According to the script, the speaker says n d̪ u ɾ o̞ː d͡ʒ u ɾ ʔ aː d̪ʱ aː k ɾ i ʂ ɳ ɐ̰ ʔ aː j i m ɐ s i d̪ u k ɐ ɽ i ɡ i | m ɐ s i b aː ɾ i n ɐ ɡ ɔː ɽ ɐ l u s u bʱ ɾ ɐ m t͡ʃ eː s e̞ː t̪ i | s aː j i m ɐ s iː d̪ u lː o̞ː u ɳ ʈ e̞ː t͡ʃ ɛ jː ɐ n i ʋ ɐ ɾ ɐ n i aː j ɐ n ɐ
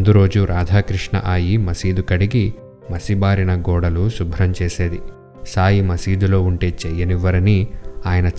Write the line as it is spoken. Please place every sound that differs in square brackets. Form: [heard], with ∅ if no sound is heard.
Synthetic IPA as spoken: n d̪ u ɾ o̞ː d͡ʒ u ɾ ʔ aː d̪ʱ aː k ɾ i ʂ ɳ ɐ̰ ʔ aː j i m ɐ s [iː] d̪ u k ɐ ɽ i ɡ i | m ɐ s i b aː ɾ i n ɐ ɡ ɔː ɽ ɐ l u s u bʱ ɾ ɐ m t͡ʃ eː s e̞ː [d̪] i | s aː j i m ɐ s iː d̪ u [l] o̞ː u ɳ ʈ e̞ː t͡ʃ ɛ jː ɐ n i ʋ ɐ ɾ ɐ n i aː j ɐ n ɐ